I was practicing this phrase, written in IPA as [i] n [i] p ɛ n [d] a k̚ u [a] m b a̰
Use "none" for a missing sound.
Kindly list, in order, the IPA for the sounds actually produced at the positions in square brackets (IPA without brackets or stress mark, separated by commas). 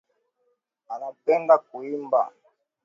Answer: a, a, d, i